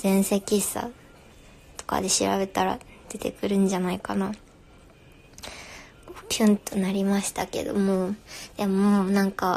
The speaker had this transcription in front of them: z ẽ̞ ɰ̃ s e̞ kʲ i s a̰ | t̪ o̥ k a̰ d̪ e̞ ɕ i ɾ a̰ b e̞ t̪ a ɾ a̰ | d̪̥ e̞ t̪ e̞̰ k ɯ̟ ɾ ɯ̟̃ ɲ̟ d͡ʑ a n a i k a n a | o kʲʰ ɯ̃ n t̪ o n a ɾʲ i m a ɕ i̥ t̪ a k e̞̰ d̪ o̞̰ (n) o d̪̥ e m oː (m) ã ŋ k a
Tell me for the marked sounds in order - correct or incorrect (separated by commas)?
incorrect, incorrect